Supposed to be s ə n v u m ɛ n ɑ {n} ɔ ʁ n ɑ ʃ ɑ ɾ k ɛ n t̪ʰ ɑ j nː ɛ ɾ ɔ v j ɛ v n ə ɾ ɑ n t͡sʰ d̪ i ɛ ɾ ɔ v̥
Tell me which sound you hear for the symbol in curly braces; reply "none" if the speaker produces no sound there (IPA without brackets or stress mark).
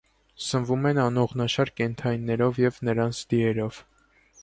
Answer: n